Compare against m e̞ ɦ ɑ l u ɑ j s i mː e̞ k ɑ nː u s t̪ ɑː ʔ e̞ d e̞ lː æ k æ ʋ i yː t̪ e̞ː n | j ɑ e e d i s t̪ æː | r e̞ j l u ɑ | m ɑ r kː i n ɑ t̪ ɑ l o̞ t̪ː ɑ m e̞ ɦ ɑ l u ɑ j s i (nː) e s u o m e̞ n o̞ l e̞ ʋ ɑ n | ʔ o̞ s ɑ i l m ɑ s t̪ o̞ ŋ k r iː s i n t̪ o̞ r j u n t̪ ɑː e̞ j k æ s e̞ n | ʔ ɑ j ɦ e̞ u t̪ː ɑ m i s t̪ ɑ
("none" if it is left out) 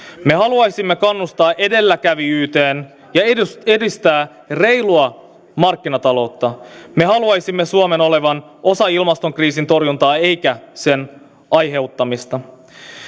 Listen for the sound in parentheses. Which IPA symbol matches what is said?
mː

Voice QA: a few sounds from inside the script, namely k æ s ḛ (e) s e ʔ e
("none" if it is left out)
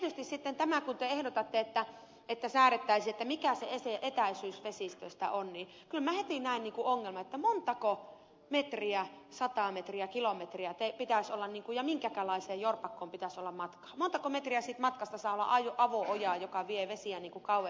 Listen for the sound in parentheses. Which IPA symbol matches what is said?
e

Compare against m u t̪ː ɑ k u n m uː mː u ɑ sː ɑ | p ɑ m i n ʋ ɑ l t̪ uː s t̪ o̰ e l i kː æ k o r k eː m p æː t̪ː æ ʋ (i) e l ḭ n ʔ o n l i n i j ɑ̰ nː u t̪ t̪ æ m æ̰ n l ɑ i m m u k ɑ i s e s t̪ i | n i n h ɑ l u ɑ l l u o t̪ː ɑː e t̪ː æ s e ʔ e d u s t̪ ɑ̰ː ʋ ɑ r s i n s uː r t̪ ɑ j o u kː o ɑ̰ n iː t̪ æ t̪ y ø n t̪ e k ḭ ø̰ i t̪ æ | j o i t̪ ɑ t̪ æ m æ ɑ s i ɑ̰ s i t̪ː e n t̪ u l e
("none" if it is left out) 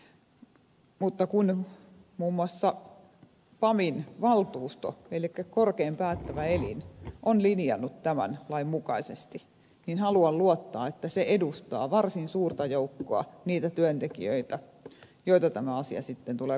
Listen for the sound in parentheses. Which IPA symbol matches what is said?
æ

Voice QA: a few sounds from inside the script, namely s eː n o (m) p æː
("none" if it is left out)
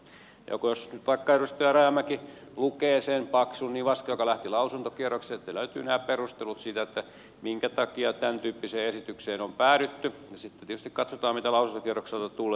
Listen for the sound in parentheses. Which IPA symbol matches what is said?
m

